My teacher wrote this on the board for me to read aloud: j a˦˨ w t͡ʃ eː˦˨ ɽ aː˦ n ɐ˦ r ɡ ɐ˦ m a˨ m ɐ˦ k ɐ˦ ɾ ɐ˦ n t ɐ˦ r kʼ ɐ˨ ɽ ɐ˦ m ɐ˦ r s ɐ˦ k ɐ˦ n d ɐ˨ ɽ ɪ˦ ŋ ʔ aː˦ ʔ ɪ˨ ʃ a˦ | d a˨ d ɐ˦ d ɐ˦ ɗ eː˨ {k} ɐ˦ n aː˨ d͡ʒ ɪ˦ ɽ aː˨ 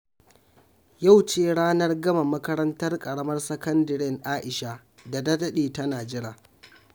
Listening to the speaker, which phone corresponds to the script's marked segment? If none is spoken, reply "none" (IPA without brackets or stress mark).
t